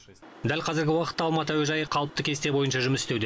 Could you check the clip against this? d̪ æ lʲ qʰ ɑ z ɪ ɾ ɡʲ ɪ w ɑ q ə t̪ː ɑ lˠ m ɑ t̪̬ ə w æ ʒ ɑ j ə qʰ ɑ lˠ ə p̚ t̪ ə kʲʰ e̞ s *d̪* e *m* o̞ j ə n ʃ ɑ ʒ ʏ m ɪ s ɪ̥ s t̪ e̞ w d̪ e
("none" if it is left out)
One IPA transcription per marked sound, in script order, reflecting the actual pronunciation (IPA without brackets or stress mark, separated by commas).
t̪, b